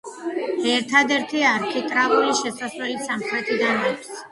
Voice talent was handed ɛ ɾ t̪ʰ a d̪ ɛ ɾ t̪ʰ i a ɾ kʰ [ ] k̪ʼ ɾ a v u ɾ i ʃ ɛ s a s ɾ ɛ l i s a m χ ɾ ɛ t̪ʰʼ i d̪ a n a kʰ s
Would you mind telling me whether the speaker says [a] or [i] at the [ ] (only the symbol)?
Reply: i